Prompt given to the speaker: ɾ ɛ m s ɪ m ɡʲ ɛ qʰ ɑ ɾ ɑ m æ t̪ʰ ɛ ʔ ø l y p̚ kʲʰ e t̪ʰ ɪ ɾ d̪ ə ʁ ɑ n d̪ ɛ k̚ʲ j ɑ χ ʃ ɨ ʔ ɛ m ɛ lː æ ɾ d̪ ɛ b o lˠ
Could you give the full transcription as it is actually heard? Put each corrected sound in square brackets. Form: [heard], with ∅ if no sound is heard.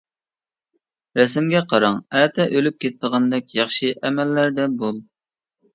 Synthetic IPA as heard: ɾ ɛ [∅] s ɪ m ɡʲ ɛ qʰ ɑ ɾ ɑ [ŋ] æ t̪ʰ ɛ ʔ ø l y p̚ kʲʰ e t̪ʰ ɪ [∅] d̪ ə ʁ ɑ n d̪ ɛ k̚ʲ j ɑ χ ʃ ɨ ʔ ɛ m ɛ lː æ ɾ d̪ ɛ b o lˠ